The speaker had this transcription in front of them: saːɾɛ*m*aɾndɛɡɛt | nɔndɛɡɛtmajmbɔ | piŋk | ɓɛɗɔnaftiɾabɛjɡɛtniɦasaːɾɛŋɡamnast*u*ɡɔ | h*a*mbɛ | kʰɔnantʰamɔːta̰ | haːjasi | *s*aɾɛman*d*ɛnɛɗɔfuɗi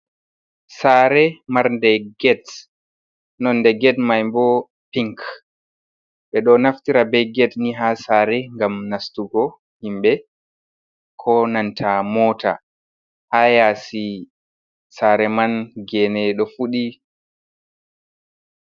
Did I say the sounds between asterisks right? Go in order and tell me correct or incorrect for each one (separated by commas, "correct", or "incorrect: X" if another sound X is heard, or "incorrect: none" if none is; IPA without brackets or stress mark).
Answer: correct, correct, incorrect: i, correct, incorrect: ɡ